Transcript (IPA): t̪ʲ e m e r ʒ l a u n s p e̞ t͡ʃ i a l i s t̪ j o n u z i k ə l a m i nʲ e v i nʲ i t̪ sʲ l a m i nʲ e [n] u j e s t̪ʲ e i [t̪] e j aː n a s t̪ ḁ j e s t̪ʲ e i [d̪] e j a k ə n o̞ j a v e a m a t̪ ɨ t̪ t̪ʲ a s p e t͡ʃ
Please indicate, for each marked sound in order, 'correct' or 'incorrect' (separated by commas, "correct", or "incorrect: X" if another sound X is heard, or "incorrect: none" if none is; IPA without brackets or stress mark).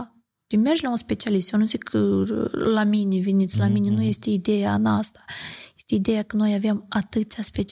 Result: correct, incorrect: d̪, correct